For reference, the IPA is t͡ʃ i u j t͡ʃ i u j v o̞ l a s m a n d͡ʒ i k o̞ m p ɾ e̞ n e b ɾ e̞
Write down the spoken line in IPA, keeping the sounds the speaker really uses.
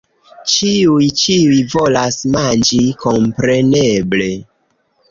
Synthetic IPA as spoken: t͡ʃ i u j t͡ʃ i u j v o̞ l a s m a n d͡ʒ i k o̞ m p ɾ e̞ n e b l e̞